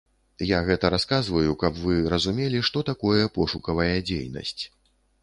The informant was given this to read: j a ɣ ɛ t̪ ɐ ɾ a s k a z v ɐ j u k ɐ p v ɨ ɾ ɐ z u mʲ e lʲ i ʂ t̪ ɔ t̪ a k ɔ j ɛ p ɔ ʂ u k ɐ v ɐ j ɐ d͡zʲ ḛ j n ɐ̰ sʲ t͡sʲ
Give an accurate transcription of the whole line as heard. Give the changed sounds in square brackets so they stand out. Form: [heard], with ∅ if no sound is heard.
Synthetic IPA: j a ɣ ɛ t̪ ɐ ɾ a s k a z v ɐ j u k ɐ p v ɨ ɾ ɐ z u mʲ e lʲ i ʂ t̪ ɔ t̪ a k ɔ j ɛ p ɔ ʂ u k ɐ v ɐ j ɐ d͡zʲ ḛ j n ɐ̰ sʲ t͡sʲ